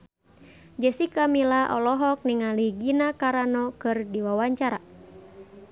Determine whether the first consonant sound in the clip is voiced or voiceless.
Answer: voiced